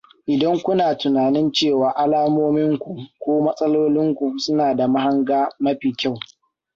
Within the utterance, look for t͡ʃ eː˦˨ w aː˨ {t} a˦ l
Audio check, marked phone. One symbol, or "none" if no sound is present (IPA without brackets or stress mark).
ʔ